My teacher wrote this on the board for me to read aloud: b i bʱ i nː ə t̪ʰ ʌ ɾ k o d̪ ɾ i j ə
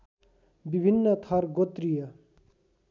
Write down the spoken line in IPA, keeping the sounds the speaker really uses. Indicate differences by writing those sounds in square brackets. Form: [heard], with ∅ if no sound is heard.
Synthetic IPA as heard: b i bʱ i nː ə t̪ʰ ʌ ɾ [ɡ] o [t̪] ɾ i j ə